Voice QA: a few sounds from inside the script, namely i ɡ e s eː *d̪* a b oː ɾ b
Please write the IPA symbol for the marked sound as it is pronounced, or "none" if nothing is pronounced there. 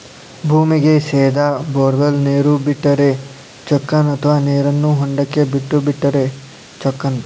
d̪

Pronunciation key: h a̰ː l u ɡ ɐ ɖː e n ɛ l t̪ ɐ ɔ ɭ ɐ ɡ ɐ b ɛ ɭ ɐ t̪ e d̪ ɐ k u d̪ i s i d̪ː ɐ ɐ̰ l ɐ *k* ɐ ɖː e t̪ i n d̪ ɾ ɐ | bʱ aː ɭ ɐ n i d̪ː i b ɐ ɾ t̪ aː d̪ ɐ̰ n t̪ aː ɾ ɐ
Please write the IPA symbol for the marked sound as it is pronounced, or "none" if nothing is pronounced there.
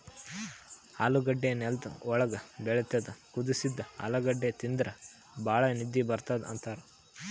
ɡ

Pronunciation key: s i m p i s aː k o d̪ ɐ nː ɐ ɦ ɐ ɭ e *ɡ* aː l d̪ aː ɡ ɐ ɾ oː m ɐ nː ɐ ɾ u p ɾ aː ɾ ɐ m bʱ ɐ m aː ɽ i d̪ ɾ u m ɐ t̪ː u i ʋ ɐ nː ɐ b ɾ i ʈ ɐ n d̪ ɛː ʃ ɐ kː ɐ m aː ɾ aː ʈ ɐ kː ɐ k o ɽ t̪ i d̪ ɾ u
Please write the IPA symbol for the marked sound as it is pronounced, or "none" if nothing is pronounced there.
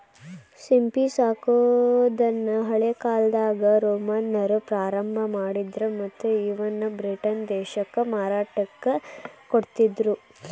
k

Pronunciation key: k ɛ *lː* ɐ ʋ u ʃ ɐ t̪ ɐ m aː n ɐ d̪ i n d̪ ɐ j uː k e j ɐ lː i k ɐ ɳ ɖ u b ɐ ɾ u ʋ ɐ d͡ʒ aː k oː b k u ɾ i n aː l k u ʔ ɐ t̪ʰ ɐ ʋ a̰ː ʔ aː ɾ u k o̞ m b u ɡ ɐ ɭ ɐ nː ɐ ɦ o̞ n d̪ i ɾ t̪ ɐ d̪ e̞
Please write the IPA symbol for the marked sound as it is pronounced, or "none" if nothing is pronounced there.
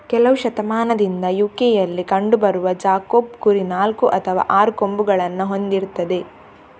l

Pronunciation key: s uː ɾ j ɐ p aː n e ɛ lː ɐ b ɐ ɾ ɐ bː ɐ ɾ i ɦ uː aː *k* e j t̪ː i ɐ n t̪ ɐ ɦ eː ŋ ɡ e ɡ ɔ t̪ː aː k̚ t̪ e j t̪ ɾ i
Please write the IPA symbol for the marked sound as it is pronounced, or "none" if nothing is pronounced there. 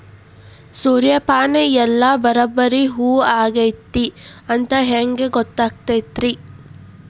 ɡ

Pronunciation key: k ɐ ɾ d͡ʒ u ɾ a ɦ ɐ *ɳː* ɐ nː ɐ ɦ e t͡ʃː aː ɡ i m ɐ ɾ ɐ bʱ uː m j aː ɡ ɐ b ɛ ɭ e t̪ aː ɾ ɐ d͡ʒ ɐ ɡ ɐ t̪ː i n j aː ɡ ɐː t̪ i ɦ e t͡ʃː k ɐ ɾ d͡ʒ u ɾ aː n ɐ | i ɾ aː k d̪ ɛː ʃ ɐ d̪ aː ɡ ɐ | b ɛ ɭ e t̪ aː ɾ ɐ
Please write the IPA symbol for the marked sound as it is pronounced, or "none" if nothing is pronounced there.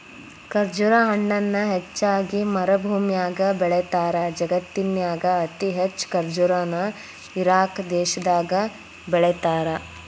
ɳː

